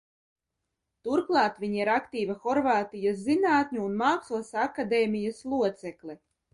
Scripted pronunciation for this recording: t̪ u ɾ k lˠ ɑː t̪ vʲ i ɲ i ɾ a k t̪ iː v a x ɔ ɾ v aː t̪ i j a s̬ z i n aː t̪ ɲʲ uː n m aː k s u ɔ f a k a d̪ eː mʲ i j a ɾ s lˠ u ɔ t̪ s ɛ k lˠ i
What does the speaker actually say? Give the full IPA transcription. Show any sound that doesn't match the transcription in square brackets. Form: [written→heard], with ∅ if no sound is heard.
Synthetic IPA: t̪ u ɾ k lˠ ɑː t̪ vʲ i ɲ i ɾ a k t̪ iː v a x ɔ ɾ v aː t̪ i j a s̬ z i n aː t̪ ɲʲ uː n m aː k s u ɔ [f→s] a k a d̪ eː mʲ i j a [ɾ→∅] s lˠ u ɔ t̪ s ɛ k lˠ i